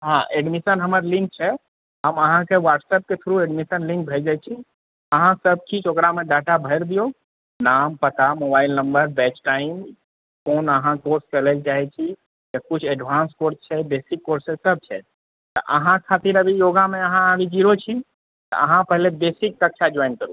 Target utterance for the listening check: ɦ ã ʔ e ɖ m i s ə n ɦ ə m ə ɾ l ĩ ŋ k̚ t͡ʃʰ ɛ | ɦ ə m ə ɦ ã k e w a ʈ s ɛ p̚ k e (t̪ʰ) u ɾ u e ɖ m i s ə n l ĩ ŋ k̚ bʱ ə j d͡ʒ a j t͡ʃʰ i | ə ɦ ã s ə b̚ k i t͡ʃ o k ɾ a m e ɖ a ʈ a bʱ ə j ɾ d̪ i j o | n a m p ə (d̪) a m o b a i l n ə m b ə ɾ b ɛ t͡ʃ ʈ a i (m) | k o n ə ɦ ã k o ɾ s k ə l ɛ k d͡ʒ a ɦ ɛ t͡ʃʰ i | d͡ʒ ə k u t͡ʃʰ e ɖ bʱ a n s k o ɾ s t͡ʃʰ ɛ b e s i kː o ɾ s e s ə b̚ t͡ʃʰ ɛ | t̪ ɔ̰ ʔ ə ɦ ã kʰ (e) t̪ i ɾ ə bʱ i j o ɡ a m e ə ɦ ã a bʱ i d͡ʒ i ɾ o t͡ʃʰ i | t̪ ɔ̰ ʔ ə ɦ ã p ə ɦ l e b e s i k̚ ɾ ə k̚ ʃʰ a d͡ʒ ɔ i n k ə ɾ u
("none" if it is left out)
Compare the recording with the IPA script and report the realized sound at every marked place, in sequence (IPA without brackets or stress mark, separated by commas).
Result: t̪ʰ, t̪, m, a